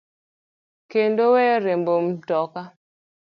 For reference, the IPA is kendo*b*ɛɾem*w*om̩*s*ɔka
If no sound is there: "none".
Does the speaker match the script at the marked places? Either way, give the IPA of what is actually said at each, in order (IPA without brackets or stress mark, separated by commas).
w, b, t